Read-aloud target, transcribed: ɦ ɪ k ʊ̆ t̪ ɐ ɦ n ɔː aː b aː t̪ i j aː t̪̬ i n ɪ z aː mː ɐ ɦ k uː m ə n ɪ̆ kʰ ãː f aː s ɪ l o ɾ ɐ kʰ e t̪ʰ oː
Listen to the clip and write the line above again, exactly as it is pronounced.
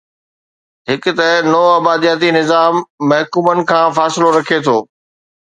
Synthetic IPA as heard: ɦ ɪ k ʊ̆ t̪ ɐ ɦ n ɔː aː b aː d̪ i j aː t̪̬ i n ɪ z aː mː ɐ ɦ k uː m ə n ɪ̆ kʰ ãː f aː s ɪ l o ɾ ɐ kʰ e t̪ʰ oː

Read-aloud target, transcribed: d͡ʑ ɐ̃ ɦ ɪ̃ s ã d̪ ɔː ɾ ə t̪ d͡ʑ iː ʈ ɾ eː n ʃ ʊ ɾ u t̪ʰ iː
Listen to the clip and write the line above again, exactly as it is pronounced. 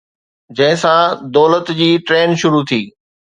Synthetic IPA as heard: d͡ʑ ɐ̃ ɦ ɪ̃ s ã d̪ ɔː l ə t̪ d͡ʑ iː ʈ ɾ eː n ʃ ʊ ɾ u t̪ʰ iː

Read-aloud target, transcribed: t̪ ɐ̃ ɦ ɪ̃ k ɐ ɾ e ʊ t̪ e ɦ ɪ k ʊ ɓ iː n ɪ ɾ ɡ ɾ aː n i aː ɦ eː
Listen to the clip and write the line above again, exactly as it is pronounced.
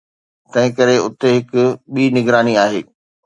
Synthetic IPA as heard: t̪ ɐ̃ ɦ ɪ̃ k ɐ ɾ e ʊ t̪ e ɦ ɪ k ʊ ɓ iː n ɪ ɡ ɾ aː n i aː ɦ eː

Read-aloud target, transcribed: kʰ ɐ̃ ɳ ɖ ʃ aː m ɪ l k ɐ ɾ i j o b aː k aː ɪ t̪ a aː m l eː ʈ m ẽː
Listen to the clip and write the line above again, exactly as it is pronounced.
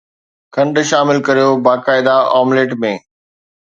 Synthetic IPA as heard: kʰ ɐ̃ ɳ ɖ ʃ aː m ɪ l k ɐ ɾ i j o b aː k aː ɪ d̪ a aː m l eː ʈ m ẽː

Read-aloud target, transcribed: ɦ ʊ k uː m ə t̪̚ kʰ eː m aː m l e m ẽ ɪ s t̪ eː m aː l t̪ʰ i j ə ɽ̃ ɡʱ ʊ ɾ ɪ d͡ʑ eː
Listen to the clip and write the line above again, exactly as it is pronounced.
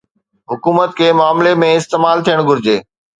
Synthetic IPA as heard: ɦ ʊ k uː m ə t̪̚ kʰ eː m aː m l e m ẽ ɪ s t̪ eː m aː l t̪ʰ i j ə ɽ̃ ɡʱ ʊ ɾ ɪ d͡ʑ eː

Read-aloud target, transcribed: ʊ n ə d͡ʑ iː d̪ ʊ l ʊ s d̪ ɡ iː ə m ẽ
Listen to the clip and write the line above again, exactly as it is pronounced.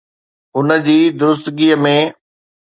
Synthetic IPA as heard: ʊ n ə d͡ʑ iː d̪ ʊ ɾ ʊ s t̪ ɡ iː ə m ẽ

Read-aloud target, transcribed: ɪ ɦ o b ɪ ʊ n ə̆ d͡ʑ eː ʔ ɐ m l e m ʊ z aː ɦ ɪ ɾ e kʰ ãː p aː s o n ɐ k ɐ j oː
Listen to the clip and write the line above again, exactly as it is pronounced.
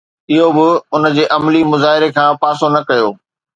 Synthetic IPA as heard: ɪ ɦ o b ɪ ʊ n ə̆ d͡ʑ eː ʔ ɐ m l i m ʊ z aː ɦ ɪ ɾ e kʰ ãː p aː s o n ɐ k ɐ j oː

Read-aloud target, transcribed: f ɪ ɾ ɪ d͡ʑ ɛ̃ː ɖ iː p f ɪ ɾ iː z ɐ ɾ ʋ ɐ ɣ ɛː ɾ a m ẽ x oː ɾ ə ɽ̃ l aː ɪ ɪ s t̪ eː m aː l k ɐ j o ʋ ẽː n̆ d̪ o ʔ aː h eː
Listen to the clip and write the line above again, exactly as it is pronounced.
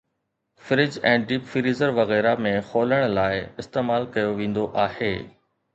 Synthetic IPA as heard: f ɪ ɾ ɪ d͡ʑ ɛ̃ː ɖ iː p f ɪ ɾ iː z ə ɾ ʋ ɐ ɣ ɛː ɾ a m ẽ x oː l ə ɽ̃ l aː ɪ ɪ s t̪ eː m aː l k ɐ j o ʋ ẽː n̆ d̪ o ʔ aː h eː

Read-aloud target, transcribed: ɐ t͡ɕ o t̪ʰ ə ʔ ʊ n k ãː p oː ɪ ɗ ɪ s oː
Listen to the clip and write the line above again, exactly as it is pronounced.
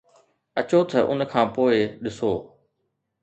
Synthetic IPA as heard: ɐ t͡ɕ o t̪ʰ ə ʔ ʊ n kʰ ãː p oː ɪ ɗ ɪ s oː

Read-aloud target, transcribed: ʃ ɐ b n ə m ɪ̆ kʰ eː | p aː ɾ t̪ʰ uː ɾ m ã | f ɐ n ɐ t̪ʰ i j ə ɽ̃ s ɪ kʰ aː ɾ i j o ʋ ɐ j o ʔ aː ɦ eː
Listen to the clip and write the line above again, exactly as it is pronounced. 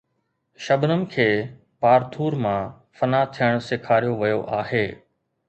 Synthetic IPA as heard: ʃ ɐ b n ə m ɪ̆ kʰ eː | p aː ɾ t̪ʰ uː ɾ m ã | f ɐ n a t̪ʰ i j ə ɽ̃ s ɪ kʰ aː ɾ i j o ʋ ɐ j o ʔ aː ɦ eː

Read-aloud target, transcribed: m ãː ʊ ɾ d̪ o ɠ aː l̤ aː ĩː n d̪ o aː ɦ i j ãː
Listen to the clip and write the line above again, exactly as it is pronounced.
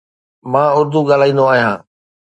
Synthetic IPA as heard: m ãː ʊ ɾ d̪ u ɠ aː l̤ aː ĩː n d̪ o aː ɦ i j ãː

